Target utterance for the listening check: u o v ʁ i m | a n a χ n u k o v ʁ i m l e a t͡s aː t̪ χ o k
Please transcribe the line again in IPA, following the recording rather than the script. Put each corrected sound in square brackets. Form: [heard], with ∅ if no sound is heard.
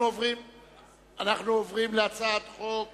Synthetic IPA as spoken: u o v ʁ i m | a n a χ n u [∅] o v ʁ i m l e a t͡s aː t̪ χ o k